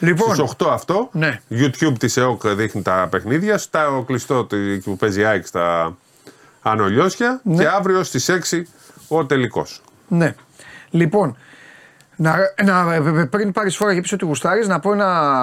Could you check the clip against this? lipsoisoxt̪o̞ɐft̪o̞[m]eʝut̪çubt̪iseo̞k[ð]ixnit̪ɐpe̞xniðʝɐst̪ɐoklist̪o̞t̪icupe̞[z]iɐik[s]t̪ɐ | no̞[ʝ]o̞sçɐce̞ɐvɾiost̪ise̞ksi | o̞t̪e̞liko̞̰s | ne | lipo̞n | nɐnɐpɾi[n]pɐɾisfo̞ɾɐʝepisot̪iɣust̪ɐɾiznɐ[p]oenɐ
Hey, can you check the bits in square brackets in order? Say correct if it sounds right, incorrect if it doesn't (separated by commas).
incorrect, correct, correct, correct, incorrect, correct, correct